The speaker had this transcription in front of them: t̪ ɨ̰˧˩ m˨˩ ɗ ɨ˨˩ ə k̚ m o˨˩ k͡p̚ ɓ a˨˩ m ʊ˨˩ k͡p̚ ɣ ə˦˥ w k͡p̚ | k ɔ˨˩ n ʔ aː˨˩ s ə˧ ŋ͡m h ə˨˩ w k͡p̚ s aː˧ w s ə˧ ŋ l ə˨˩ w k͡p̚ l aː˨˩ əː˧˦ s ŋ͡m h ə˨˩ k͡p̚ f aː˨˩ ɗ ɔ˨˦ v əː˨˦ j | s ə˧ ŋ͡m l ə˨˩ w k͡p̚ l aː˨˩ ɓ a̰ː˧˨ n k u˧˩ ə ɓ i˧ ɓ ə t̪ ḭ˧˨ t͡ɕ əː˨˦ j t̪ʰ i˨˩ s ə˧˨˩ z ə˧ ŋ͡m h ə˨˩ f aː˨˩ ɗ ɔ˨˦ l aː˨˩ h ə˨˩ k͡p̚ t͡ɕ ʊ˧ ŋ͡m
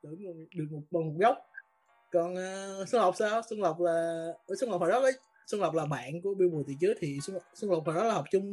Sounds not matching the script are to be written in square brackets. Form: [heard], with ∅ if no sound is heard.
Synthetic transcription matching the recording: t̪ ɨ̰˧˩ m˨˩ ɗ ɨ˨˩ ə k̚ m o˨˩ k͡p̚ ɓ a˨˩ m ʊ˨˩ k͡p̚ ɣ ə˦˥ w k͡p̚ | k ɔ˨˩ n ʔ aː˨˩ s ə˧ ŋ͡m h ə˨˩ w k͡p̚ s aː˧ w s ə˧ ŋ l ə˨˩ w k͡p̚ l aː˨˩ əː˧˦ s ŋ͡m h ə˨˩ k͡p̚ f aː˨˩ ɗ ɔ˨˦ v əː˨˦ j | s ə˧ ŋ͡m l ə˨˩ w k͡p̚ l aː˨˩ ɓ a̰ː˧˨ n k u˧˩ ə ɓ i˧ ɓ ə t̪ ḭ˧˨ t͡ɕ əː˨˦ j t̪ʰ i˨˩ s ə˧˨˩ [s] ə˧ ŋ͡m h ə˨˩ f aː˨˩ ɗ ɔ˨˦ l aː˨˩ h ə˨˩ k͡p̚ t͡ɕ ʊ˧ ŋ͡m